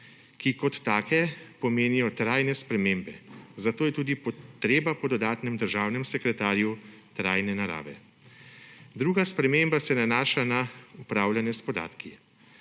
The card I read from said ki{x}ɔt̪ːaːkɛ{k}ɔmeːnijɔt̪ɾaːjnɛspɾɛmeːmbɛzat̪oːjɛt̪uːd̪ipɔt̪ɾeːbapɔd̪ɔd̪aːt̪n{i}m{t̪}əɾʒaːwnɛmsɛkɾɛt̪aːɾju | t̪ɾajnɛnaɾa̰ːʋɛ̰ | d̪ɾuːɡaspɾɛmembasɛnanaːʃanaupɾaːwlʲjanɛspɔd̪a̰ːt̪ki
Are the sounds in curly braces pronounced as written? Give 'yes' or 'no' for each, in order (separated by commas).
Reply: no, no, no, no